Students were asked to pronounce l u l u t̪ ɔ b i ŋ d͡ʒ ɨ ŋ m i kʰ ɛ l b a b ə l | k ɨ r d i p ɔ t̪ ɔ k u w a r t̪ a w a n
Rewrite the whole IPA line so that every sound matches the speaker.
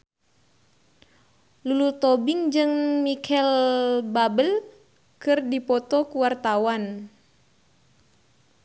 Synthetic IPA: l u l u t̪ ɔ b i ŋ d͡ʒ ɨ ŋ m i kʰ ɛ l b a b ə l | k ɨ r d i p ɔ t̪ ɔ k u w a r t̪ a w a n